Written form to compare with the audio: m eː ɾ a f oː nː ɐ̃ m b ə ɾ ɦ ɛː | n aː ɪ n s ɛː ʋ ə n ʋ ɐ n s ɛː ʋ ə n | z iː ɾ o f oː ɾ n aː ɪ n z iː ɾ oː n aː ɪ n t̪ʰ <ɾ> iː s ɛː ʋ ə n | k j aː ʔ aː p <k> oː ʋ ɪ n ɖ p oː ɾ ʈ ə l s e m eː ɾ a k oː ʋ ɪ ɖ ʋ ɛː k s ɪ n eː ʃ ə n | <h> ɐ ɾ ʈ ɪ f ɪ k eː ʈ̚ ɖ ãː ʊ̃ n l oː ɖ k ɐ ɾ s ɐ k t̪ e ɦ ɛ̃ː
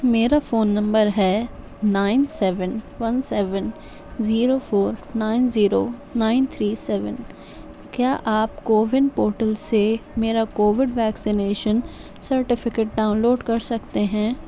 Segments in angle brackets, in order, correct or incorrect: correct, correct, incorrect

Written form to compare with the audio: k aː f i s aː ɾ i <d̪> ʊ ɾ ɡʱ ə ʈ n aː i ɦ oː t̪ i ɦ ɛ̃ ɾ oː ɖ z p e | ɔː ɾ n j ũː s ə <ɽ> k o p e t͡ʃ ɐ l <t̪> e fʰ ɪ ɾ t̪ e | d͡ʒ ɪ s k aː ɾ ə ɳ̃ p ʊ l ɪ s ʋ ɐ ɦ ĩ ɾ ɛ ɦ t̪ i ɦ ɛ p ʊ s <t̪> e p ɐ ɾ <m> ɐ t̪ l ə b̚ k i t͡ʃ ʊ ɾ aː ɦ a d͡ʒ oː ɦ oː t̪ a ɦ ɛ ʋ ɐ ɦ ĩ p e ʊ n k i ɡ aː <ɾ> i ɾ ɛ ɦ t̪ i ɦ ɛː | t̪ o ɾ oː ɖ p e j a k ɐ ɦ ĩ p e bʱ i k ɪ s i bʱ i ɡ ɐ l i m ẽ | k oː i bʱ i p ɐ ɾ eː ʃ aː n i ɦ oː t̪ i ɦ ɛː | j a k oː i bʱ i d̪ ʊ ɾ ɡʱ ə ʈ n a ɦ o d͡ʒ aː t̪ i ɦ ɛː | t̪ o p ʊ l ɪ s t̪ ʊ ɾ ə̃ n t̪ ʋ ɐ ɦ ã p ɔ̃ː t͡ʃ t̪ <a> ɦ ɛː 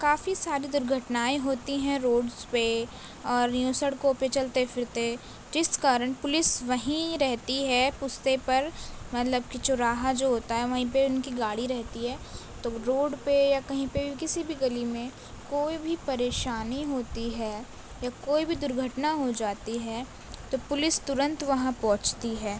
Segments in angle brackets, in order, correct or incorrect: correct, correct, correct, correct, correct, incorrect, incorrect

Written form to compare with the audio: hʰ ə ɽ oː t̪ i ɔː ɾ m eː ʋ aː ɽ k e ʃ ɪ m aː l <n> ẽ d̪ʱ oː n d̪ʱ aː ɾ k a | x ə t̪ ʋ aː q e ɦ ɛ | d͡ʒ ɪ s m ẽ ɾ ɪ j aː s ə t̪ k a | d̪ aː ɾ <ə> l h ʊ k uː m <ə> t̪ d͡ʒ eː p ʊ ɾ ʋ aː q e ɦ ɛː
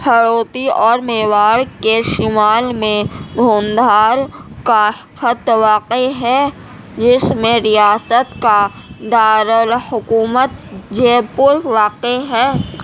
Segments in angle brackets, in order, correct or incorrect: incorrect, correct, correct

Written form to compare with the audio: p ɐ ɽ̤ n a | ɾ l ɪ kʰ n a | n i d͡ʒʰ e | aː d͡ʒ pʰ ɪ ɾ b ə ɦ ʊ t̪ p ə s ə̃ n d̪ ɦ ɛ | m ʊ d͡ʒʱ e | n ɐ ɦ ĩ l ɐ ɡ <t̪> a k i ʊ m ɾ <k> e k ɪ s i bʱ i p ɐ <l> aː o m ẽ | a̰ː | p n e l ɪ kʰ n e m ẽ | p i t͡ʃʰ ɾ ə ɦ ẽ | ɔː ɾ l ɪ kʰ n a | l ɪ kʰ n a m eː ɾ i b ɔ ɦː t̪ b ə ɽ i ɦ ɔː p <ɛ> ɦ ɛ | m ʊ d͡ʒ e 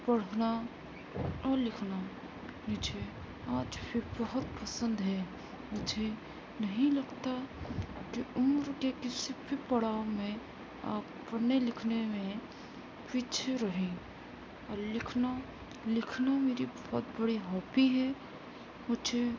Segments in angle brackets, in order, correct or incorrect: correct, correct, incorrect, incorrect

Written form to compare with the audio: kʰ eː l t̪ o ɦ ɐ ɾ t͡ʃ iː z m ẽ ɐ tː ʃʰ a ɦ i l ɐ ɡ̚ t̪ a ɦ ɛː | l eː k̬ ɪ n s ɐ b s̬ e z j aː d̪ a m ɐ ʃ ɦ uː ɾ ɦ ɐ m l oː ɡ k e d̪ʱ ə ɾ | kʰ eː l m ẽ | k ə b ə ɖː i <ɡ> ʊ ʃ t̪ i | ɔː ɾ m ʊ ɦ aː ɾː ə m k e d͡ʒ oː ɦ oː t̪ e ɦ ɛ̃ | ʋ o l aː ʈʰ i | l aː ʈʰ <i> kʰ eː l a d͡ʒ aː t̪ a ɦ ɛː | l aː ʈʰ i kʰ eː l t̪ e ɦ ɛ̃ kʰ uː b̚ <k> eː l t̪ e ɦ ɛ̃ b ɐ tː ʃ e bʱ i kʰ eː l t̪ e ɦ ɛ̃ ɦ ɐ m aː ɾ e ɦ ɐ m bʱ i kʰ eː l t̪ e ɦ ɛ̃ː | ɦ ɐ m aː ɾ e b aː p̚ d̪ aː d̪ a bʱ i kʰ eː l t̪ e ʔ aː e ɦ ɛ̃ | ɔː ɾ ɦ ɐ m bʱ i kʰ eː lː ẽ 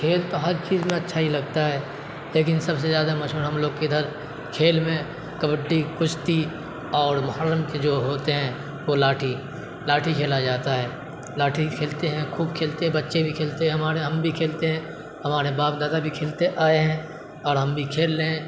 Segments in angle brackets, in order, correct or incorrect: incorrect, correct, incorrect

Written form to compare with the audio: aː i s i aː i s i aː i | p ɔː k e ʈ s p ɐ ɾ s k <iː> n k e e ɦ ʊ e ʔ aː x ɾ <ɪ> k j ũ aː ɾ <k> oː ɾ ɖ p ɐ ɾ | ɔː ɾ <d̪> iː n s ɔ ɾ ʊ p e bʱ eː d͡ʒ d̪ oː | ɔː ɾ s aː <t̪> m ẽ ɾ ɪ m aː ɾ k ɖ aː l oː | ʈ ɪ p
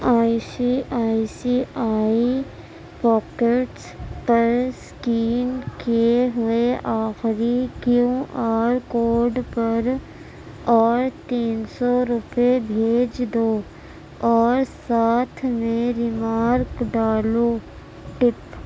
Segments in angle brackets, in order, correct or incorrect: correct, incorrect, correct, incorrect, incorrect

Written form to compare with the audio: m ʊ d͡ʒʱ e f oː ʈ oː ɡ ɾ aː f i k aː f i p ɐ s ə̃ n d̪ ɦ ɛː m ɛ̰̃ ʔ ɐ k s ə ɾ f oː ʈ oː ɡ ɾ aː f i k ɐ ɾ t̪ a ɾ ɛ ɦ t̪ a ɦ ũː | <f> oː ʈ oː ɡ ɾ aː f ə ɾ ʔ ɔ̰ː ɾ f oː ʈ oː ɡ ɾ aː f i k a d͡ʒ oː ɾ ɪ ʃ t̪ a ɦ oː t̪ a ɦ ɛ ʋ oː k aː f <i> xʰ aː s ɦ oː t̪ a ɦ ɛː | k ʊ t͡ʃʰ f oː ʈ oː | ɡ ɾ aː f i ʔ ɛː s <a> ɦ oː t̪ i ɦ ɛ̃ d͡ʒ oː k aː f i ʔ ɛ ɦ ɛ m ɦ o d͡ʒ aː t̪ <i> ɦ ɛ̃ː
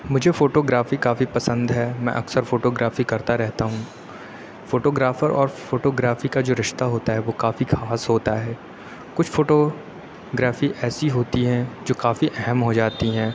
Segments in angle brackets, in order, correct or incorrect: correct, correct, incorrect, correct

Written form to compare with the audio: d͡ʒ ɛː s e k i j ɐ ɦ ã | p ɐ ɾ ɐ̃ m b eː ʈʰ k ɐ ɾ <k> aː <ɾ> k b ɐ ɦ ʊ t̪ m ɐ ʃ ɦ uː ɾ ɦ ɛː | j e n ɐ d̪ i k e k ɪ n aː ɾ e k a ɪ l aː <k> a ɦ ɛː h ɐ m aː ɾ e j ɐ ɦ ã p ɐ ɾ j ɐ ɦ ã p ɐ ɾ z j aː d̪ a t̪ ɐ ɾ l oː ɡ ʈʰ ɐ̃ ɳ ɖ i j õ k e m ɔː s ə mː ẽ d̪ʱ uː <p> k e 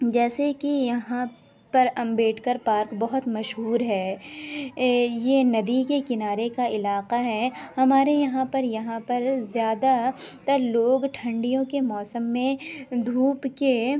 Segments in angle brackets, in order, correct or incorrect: incorrect, correct, incorrect, correct

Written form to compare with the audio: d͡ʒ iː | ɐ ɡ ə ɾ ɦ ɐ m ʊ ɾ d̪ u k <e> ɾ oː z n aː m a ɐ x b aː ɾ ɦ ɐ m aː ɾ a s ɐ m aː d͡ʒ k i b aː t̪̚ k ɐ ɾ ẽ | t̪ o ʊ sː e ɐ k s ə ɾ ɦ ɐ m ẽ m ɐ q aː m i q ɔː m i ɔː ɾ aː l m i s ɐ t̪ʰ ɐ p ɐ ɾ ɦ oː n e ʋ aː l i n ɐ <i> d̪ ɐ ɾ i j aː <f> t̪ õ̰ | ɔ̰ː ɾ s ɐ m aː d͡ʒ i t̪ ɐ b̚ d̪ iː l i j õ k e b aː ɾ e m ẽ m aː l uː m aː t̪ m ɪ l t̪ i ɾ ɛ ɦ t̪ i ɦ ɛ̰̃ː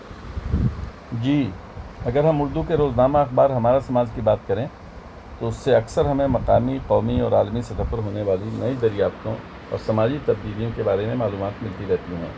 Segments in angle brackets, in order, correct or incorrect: correct, correct, correct

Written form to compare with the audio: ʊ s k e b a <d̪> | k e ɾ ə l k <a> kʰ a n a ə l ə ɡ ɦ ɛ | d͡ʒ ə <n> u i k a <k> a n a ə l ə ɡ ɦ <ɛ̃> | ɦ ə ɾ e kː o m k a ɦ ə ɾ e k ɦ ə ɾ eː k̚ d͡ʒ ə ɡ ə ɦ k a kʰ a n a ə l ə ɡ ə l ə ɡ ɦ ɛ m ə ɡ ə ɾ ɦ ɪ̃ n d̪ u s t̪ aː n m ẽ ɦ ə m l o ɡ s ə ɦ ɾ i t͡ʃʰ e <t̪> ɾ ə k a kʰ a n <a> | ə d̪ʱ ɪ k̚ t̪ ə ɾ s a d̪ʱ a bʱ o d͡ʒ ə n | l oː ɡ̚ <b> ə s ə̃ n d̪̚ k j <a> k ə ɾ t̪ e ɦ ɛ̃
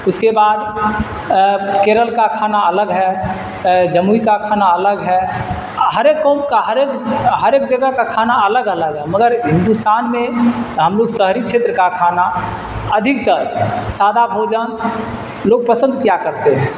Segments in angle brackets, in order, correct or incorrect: correct, correct, incorrect, incorrect, incorrect, correct, correct, incorrect, correct

